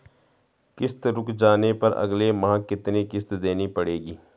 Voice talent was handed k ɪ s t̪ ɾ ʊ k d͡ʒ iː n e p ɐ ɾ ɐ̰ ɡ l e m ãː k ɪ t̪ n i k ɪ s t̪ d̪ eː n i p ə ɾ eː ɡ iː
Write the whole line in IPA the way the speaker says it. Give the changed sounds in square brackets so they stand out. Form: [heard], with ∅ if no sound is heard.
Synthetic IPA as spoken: k ɪ s t̪ ɾ ʊ k d͡ʒ [aː] n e p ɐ ɾ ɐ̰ ɡ l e m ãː k ɪ t̪ n i k ɪ s t̪ d̪ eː n i p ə [ɽ] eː ɡ iː